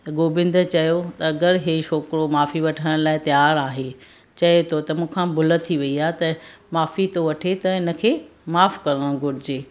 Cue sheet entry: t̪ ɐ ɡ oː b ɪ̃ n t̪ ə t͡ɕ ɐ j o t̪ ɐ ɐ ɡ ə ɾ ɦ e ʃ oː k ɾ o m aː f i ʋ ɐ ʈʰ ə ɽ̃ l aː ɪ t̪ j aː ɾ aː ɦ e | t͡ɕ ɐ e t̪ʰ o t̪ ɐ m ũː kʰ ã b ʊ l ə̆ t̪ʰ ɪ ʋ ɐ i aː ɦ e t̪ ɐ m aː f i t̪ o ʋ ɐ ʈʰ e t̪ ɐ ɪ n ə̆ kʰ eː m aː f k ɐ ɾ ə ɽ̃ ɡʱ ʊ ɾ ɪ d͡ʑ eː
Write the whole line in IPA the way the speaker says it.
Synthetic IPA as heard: t̪ ɐ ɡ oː b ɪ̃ n d̪ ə t͡ɕ ɐ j o t̪ ɐ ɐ ɡ ə ɾ ɦ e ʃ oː k ɾ o m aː f i ʋ ɐ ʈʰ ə ɽ̃ l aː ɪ t̪ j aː ɾ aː ɦ e | t͡ɕ ɐ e t̪ʰ o t̪ ɐ m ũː kʰ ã b ʊ l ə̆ t̪ʰ i ʋ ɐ i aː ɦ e t̪ ɐ m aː f i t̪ o ʋ ɐ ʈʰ e t̪ ɐ ɪ n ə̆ kʰ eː m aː f k ɐ ɾ ə ɽ̃ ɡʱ ʊ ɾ ɪ d͡ʑ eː